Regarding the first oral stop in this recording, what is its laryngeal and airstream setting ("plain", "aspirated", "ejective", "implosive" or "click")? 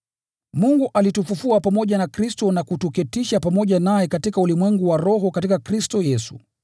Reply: plain